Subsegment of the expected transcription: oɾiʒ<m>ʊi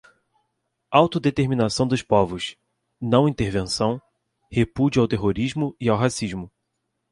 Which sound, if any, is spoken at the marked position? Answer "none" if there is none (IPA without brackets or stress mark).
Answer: m